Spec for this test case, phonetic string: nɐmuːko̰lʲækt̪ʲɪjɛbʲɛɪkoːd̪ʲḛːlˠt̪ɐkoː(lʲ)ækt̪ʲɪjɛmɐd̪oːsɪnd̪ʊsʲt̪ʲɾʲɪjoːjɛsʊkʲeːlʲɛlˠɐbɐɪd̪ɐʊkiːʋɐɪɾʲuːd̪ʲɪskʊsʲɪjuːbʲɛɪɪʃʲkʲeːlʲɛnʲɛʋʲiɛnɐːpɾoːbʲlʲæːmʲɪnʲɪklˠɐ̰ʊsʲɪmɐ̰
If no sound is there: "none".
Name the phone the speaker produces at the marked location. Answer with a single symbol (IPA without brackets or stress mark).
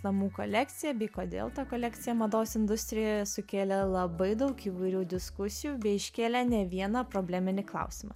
lʲ